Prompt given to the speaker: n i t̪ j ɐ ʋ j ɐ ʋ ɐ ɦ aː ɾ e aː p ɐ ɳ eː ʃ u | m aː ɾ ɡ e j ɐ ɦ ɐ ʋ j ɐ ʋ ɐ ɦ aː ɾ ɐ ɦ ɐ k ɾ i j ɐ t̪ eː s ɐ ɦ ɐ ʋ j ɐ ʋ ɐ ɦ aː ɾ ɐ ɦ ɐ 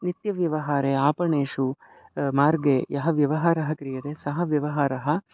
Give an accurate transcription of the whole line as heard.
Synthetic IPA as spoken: n i t̪ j ɐ ʋ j ɐ ʋ ɐ ɦ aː ɾ e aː p ɐ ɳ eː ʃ u | m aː ɾ ɡ e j ɐ ɦ ɐ ʋ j ɐ ʋ ɐ ɦ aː ɾ ɐ ɦ ɐ k ɾ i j ɐ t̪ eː s ɐ ɦ ɐ ʋ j ɐ ʋ ɐ ɦ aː ɾ ɐ ɦ ɐ